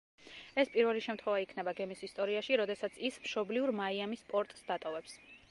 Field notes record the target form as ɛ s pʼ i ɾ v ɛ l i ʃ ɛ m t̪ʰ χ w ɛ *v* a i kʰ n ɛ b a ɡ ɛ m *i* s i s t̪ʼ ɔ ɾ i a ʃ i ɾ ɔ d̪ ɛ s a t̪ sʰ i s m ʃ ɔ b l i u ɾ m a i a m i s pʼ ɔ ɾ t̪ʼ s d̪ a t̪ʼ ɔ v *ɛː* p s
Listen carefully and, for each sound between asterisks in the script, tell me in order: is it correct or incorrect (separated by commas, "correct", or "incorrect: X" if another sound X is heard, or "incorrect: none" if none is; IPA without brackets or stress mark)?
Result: correct, correct, incorrect: ɛ